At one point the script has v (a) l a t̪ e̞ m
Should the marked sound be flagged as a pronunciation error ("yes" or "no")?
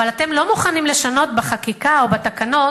no